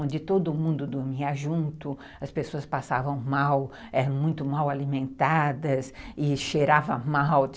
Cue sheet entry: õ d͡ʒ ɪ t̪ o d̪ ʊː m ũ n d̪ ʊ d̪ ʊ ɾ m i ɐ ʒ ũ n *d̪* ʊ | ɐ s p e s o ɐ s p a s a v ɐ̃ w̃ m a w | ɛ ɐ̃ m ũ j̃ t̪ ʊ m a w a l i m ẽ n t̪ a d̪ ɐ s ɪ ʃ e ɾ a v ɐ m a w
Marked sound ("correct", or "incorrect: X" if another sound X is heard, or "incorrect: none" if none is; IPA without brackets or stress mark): incorrect: t̪